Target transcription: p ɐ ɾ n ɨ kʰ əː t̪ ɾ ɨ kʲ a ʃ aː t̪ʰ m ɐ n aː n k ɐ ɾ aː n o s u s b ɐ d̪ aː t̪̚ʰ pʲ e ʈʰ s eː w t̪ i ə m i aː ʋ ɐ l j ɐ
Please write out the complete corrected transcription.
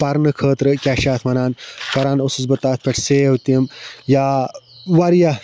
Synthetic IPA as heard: p ɐ ɾ n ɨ kʰ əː t̪ ɾ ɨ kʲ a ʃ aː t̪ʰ m ɐ n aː n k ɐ ɾ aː n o s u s b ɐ t̪ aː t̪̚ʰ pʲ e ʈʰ s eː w t̪ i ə m j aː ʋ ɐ ɾ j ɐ